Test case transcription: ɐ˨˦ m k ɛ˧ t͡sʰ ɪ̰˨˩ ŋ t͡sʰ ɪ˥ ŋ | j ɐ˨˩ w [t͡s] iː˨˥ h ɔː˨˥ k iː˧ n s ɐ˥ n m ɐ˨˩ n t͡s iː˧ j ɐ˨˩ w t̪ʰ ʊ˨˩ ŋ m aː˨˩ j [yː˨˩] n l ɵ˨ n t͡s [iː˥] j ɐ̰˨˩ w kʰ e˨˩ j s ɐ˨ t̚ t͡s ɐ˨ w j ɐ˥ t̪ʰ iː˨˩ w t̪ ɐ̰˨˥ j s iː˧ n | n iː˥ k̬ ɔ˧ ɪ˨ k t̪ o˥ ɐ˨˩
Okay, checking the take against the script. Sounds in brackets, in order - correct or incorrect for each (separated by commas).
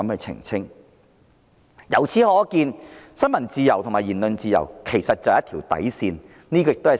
incorrect, incorrect, incorrect